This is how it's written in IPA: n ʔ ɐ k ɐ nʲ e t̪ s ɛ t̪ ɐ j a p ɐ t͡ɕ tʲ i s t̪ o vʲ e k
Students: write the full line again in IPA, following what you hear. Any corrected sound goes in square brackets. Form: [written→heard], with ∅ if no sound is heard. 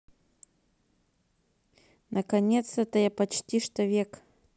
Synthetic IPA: n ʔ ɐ k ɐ nʲ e t̪ s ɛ t̪ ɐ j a p ɐ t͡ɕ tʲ i [s→ʂ] t̪ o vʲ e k

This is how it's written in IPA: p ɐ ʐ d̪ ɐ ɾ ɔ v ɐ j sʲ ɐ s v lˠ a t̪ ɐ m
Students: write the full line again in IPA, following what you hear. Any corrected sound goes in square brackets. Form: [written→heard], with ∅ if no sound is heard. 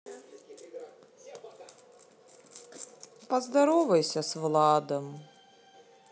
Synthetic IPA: p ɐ [ʐ→z] d̪ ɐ ɾ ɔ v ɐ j sʲ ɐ s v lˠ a [t̪→d̪] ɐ m

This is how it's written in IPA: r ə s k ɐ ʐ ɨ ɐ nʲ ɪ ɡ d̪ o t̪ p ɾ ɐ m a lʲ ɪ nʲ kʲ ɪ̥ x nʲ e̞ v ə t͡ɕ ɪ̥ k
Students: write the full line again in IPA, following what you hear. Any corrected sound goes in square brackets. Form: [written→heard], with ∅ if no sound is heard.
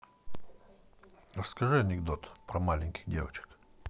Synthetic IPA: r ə s k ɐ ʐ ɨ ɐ nʲ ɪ ɡ d̪ o t̪ p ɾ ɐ m a lʲ ɪ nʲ kʲ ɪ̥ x [nʲ→dʲ] e̞ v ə t͡ɕ ɪ̥ k

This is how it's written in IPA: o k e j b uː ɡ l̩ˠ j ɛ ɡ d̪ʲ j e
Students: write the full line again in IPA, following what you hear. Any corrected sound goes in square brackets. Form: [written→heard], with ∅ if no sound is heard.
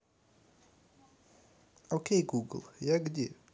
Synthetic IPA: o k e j [b→ɡ] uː ɡ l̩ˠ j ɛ ɡ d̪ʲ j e

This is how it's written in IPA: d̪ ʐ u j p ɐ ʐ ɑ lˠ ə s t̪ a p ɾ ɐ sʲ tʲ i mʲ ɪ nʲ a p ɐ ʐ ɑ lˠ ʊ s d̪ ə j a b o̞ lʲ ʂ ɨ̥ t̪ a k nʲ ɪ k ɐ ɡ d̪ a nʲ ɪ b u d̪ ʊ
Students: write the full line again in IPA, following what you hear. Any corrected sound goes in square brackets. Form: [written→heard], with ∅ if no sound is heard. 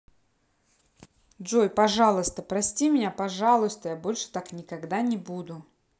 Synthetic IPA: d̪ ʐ [u→o] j p ɐ ʐ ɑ lˠ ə s t̪ [a→ə] p ɾ ɐ sʲ tʲ i mʲ ɪ nʲ a p ɐ ʐ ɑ lˠ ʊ s [d̪→t̪] ə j a b o̞ lʲ ʂ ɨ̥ t̪ a k nʲ ɪ k ɐ ɡ d̪ a nʲ ɪ b u d̪ ʊ

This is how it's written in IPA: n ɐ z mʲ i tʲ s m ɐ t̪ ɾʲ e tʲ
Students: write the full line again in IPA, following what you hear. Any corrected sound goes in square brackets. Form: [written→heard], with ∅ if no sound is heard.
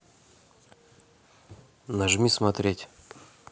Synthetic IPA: n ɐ [z→ʐ] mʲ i [tʲ→∅] s m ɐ t̪ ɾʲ e tʲ

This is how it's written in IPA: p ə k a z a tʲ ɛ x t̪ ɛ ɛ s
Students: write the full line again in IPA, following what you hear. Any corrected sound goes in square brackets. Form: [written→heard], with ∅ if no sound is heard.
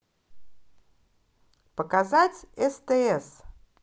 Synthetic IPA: p ə k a z a tʲ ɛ [x→s] t̪ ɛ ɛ s

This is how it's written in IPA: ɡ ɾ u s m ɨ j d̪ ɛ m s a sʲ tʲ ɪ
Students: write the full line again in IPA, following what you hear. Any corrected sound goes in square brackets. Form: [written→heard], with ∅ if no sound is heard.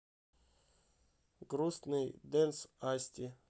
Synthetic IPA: ɡ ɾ u s [m→n] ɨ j d̪ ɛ [m→n] s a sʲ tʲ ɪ

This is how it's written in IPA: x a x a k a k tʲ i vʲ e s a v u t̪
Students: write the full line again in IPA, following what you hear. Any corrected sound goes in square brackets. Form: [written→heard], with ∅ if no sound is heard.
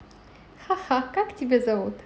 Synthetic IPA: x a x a k a k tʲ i [vʲ→bʲ] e [s→z] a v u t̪

